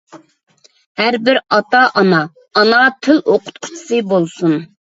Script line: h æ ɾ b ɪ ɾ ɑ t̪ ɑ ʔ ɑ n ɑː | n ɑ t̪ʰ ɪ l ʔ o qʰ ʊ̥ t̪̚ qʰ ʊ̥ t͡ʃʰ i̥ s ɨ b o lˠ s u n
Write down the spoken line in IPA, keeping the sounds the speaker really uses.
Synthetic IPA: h æ ɾ b ɪ ɾ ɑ t̪ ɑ ʔ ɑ n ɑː | n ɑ t̪ʰ ɪ l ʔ o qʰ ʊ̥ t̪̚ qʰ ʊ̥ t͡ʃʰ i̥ s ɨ b o lˠ s u n